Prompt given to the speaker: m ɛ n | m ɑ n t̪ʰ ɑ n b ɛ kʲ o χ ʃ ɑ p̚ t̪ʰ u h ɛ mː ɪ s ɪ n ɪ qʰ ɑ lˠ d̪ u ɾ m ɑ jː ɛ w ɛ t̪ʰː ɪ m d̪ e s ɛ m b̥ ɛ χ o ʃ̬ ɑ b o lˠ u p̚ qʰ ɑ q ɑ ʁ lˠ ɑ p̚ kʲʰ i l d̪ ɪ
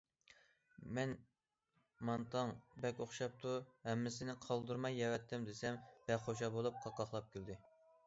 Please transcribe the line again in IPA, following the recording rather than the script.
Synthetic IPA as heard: m ɛ n | m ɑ n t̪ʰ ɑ ŋ b ɛ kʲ o χ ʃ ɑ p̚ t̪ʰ u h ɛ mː ɪ s ɪ n ɪ qʰ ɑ lˠ d̪ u ɾ m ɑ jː ɛ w ɛ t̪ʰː ɪ m d̪ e s ɛ m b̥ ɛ χ o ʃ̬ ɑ b o lˠ u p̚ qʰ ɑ q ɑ χ lˠ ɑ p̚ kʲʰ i l d̪ ɪ

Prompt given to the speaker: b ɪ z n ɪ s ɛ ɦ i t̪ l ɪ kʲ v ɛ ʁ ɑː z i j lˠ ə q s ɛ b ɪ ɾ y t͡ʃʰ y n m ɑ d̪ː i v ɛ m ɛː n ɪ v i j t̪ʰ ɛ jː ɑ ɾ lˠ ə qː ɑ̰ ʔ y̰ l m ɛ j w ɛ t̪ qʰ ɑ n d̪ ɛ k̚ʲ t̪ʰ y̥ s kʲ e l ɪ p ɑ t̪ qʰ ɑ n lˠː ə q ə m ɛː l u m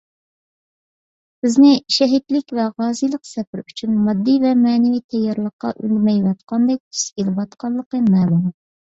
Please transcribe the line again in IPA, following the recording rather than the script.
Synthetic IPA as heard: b ɪ z n ɪ ʃ ɛ ɦ i t̪ l ɪ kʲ v ɛ ʁ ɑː z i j lˠ ə q s ɛ p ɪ ɾ y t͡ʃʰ y n m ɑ d̪ː i v ɛ m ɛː n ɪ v i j t̪ʰ ɛ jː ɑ ɾ lˠ ə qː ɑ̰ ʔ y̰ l m ɛ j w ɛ t̪ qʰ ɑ n d̪ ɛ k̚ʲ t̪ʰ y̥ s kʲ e l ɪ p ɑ t̪ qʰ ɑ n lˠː ə q ə m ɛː l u m

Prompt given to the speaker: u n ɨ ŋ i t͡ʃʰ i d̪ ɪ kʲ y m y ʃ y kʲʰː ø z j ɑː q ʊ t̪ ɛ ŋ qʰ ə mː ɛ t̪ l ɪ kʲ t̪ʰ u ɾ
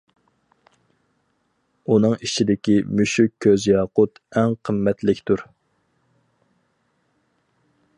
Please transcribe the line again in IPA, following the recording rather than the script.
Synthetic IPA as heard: u n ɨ ŋ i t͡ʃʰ i d̪ ɪ kʲ i m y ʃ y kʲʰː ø z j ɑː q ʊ t̪ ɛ ŋ qʰ ə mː ɛ t̪ l ɪ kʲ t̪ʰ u ɾ

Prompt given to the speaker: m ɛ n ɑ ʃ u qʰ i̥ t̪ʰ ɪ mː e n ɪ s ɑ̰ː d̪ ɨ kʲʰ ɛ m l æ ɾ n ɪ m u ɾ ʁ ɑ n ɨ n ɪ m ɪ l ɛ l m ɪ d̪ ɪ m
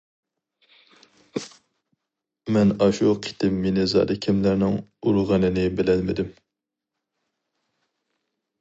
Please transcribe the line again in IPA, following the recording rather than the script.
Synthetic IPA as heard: m ɛ n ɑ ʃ u qʰ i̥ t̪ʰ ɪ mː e n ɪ z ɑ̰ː d̪ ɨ kʲʰ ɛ m l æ ɾ n ɪ ŋ u ɾ ʁ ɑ n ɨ n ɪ b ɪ l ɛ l m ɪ d̪ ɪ m

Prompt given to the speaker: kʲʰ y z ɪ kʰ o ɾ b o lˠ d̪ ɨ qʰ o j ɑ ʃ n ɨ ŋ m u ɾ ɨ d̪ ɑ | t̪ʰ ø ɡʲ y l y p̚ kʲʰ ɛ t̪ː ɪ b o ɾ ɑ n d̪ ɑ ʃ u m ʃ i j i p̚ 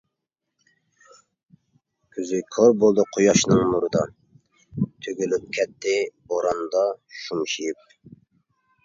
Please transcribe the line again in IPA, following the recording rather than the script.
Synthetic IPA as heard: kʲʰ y z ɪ kʰ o ɾ b o lˠ d̪ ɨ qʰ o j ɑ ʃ n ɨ ŋ m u ɾ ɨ d̪ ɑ | t̪ʰ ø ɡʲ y l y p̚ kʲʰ ɛ t̪ː ɪ b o ɾ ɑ n d̪ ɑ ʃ u m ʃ i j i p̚

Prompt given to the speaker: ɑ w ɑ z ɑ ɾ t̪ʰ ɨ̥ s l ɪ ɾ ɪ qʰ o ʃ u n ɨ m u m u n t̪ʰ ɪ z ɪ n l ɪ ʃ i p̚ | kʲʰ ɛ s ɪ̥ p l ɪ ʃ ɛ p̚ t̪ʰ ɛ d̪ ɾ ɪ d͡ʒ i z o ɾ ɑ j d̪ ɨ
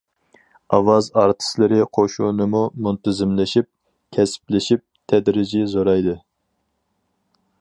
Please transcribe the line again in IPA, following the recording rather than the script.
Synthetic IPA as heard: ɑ w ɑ z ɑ ɾ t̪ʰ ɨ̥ s l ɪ ɾ ɪ qʰ o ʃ u n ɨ m u m u n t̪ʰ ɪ z ɪ m l ɪ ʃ i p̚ | kʲʰ ɛ s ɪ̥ p l ɪ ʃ i p̚ t̪ʰ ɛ d̪ ɾ ɪ d͡ʒ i z o ɾ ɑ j d̪ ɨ

